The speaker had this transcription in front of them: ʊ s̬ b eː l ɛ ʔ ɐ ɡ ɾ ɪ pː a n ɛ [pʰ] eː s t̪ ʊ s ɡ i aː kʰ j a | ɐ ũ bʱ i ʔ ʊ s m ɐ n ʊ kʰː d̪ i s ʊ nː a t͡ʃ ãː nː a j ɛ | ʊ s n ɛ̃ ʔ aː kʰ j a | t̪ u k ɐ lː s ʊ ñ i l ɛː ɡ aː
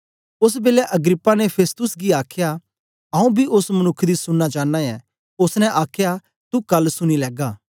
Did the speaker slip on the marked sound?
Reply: no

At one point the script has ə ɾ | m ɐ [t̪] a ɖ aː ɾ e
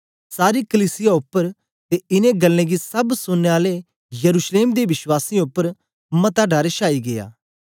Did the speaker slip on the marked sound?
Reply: no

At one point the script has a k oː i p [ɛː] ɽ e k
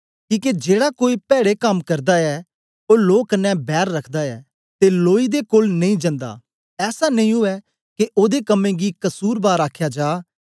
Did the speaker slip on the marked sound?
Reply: no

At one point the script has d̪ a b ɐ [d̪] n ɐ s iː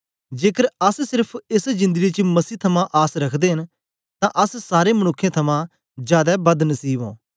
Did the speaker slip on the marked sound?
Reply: no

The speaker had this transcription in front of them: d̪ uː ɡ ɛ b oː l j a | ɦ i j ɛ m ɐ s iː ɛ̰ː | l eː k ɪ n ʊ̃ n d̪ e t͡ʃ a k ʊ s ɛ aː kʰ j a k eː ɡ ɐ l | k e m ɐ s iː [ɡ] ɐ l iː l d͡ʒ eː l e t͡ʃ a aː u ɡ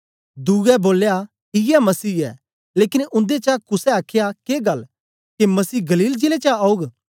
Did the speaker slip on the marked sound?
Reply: no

